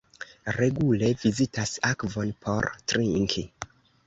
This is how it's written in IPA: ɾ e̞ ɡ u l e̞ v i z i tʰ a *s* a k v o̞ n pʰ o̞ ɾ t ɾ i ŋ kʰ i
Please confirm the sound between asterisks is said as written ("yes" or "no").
yes